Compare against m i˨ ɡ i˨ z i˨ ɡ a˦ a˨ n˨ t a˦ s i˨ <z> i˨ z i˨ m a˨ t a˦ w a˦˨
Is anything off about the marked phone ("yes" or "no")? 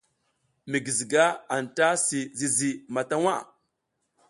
no